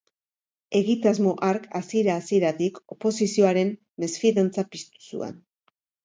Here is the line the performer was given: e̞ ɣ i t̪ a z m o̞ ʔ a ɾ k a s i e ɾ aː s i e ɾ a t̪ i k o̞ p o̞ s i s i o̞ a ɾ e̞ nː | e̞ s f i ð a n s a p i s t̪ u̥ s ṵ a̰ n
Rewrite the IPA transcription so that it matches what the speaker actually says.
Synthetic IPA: e̞ ɣ i t̪ a z m o̞ ʔ a ɾ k a s i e ɾ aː s i e ɾ a t̪ i k o̞ p o̞ s i s i o̞ a ɾ e̞ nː | e̞ s f i ð a n t͡s a p i s t̪ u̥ s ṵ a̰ n